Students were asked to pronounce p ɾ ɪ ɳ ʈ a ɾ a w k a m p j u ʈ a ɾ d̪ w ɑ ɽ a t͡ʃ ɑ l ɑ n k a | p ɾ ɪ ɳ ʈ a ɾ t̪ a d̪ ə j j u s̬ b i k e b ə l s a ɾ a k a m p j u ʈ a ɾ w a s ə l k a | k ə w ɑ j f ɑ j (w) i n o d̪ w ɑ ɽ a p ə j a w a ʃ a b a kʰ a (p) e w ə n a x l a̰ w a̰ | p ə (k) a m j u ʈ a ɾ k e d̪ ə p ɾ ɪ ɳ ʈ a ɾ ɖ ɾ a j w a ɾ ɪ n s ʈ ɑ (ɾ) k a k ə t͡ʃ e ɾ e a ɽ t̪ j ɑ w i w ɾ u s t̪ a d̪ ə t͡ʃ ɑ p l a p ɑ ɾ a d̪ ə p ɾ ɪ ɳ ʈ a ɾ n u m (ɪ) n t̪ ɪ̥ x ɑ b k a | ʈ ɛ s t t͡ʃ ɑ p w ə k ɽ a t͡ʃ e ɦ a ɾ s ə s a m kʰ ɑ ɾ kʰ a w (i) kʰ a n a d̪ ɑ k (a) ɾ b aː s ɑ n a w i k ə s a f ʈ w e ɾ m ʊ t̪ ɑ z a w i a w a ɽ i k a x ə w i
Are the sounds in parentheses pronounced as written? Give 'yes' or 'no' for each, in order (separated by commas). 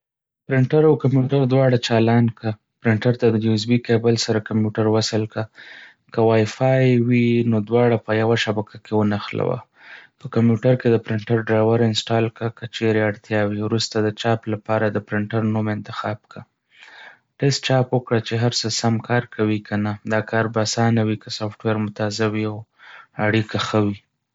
yes, no, yes, no, yes, yes, no